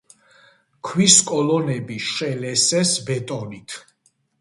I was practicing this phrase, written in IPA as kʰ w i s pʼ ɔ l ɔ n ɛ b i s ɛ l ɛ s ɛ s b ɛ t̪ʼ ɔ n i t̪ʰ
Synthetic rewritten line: kʰ w i s kʼ ɔ l ɔ n ɛ b i ʃ ɛ l ɛ s ɛ s b ɛ t̪ʼ ɔ n i t̪ʰ